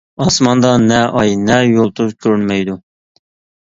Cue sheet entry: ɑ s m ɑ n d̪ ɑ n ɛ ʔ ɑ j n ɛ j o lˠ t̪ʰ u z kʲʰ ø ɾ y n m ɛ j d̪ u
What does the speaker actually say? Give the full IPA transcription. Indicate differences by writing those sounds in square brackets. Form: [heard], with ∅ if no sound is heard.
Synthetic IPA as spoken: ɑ s m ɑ n d̪ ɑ n ɛ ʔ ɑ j n ɛ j o lˠ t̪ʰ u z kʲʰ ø ɾ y n m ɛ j d̪ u